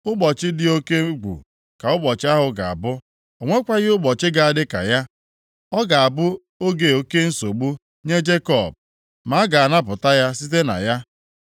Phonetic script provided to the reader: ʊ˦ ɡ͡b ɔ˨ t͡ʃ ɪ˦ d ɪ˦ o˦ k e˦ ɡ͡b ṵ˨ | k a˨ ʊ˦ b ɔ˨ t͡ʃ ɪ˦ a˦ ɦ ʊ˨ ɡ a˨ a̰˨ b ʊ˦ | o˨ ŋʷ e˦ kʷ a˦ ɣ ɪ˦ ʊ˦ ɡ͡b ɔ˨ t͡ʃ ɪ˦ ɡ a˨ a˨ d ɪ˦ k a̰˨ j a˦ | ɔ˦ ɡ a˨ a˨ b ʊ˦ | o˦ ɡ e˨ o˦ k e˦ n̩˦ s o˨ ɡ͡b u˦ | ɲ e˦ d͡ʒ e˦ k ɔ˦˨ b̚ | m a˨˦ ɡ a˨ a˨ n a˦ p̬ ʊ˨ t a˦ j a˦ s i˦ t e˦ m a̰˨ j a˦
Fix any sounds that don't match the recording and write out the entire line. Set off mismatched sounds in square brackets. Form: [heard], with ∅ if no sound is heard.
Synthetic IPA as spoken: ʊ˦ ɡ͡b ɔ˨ t͡ʃ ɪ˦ d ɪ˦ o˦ k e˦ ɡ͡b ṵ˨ | k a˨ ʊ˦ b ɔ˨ t͡ʃ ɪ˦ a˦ ɦ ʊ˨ ɡ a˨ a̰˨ b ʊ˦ | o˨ ŋʷ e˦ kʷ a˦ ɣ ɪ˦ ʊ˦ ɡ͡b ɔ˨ t͡ʃ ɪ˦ ɡ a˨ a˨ d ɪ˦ k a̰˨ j a˦ | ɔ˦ ɡ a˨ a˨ b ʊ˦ | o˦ ɡ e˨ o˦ k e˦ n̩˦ s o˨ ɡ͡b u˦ | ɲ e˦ d͡ʒ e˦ k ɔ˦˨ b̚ | m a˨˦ ɡ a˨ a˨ n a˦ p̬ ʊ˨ t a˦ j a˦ s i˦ t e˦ [n] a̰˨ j a˦